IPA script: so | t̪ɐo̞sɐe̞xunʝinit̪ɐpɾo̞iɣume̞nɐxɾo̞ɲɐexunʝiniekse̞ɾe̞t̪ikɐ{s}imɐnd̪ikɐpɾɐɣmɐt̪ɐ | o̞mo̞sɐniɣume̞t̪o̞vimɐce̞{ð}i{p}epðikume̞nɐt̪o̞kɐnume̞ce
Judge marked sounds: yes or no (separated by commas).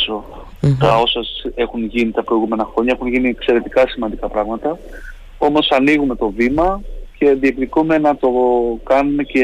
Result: yes, yes, no